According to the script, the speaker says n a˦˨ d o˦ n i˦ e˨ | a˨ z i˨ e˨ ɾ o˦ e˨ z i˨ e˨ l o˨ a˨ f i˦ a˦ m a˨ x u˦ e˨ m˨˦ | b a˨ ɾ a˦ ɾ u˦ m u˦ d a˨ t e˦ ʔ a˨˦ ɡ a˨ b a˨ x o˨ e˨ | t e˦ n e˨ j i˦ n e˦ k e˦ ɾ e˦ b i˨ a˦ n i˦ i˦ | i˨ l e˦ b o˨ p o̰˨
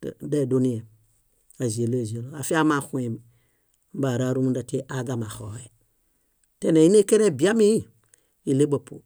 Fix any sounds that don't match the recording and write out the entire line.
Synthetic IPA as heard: d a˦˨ d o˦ n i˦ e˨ | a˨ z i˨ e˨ l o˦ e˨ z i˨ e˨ l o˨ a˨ f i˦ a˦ m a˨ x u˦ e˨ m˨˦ | b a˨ ɾ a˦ ɾ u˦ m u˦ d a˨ t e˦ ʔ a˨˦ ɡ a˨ m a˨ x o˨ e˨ | t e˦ n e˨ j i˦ n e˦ k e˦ ɾ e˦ b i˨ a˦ m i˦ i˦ | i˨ l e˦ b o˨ p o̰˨